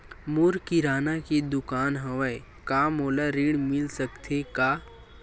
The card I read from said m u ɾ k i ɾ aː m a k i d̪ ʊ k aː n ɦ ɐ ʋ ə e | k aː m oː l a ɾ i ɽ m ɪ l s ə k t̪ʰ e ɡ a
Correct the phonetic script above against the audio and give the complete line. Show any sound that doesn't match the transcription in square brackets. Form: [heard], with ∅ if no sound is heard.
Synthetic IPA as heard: m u ɾ k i ɾ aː [n] a k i d̪ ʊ k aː n ɦ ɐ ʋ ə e | k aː m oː l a ɾ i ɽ m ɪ l s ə k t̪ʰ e [k] a